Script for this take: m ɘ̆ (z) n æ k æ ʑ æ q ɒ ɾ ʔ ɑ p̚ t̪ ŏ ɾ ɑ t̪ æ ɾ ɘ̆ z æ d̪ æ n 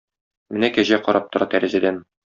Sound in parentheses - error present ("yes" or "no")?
yes